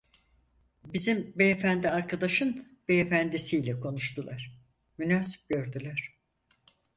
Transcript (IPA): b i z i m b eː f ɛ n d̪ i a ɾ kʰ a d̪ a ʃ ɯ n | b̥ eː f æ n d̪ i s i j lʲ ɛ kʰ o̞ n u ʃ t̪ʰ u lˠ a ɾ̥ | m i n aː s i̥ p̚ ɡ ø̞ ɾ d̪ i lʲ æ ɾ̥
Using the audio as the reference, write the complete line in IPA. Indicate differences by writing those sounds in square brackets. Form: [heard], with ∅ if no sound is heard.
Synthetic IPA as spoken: b i z i m b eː f [æ] n d̪ i a ɾ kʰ a d̪ a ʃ ɯ n | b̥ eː f æ n d̪ i s i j lʲ ɛ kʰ o̞ n u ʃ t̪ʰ u lˠ a ɾ̥ | m [y] n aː s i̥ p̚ [ɟ] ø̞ ɾ d̪ [y] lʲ æ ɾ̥